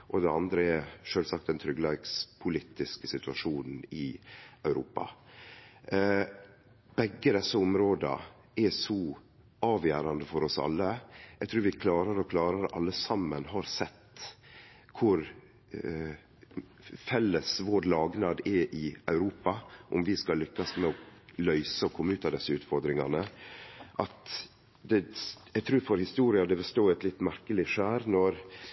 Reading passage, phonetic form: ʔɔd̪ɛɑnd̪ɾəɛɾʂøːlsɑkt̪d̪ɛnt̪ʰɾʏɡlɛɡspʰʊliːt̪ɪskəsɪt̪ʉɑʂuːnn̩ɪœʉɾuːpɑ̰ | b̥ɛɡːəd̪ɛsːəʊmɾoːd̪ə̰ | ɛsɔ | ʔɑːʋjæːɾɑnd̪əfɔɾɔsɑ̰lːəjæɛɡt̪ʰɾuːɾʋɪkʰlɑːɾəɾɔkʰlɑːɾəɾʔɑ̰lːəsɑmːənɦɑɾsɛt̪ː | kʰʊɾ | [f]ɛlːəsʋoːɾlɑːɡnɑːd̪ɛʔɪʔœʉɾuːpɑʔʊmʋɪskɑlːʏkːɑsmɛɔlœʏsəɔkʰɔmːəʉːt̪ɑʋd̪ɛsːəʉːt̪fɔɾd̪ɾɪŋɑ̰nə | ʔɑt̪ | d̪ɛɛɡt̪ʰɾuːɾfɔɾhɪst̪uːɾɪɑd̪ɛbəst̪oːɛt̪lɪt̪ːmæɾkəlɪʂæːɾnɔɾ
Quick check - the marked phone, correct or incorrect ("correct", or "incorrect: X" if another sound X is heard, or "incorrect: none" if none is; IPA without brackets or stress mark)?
correct